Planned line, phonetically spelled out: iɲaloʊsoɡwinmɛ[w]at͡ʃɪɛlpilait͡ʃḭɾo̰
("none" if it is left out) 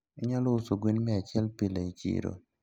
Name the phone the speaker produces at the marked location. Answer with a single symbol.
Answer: none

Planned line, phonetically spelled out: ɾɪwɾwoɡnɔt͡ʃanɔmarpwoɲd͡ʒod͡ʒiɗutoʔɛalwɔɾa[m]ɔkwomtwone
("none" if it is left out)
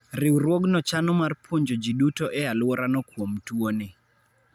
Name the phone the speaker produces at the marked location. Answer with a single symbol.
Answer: n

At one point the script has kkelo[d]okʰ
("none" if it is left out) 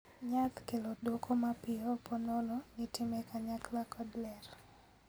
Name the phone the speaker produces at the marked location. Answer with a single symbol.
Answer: d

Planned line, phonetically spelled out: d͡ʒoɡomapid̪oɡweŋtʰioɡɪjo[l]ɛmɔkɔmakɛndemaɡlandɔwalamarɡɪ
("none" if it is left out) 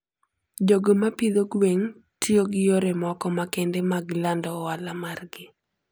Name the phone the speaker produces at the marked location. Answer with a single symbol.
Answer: ɾ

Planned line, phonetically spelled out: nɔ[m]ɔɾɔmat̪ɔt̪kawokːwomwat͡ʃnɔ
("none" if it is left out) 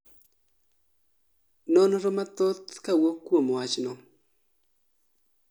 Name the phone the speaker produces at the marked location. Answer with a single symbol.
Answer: n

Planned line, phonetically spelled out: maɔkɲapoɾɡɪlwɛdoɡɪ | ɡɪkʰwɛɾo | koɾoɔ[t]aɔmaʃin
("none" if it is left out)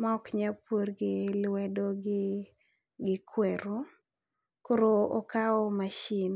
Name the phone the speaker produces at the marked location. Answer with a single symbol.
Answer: k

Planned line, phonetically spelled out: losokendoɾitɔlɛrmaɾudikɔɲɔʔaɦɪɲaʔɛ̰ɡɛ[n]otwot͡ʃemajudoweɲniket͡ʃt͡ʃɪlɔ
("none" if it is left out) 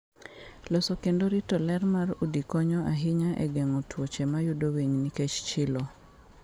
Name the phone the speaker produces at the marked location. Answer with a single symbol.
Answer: ŋ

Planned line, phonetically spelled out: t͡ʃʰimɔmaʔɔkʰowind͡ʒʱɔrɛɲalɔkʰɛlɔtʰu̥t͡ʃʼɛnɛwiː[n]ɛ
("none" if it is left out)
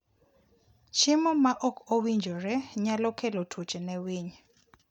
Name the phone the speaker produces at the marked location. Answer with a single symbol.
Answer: ɲ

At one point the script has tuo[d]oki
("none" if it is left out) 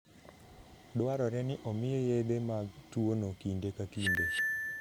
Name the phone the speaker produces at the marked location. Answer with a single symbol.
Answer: n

